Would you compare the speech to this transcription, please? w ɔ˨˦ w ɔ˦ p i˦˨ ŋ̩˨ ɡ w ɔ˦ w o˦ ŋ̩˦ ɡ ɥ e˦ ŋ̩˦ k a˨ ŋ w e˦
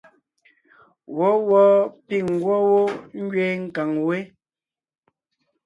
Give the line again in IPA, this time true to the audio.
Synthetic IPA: w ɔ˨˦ w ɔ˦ p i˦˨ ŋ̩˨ ɡ w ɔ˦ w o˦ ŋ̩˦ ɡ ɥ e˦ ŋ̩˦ k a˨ ŋ w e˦